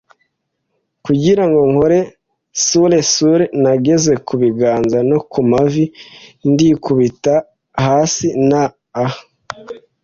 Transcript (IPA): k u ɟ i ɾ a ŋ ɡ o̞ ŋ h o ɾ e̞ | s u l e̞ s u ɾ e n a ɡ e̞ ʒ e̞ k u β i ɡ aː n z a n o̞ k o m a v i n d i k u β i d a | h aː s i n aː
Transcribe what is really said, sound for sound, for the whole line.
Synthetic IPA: k u ɟ i ɾ a ŋ ɡ o̞ ŋ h o ɾ e̞ | s u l e̞ s u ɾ e n a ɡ e̞ z e̞ k u β i ɡ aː n z a n o̞ k u m a v i n d i k u β i t a | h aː s i n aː